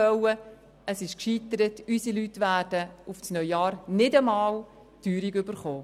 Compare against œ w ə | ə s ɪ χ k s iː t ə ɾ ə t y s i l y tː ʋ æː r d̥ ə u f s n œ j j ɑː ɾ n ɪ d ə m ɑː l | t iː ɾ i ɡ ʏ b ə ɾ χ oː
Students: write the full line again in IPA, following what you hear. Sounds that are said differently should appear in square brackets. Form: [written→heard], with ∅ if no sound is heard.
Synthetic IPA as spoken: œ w ə | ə s ɪ [χ→ʃ] k [s→ʃ] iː t ə ɾ ə t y s i l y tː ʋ æː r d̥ ə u f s n œ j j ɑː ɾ n ɪ d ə m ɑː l | t [iː→yː] ɾ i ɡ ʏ b ə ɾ χ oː